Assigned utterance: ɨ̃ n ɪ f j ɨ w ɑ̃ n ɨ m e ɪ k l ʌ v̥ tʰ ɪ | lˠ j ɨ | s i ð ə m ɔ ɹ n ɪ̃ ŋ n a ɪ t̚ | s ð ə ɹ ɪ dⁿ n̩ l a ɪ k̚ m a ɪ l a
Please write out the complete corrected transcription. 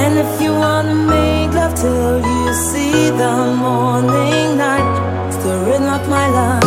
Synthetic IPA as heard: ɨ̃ n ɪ f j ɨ w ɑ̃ n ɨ m e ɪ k l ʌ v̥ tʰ ɪ | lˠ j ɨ | s i ð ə m ɔ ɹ n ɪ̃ ŋ n a ɪ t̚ | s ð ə ɹ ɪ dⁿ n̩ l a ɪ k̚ m a ɪ l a